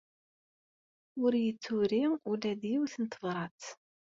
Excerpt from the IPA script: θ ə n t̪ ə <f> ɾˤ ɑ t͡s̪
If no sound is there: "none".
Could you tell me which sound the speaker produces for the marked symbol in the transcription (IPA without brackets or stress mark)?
v